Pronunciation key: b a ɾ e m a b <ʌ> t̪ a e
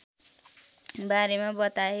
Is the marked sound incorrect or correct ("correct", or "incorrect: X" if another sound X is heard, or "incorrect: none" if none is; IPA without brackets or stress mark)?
correct